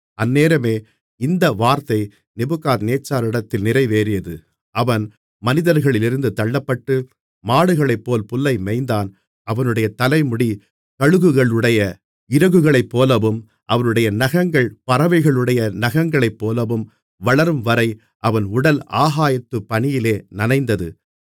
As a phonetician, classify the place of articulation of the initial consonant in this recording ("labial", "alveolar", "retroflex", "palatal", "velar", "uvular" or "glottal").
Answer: alveolar